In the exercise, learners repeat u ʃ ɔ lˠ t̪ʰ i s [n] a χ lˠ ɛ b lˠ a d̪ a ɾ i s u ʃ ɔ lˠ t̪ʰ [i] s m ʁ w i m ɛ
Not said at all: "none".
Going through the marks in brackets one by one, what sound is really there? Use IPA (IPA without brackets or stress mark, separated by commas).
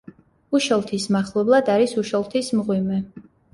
m, i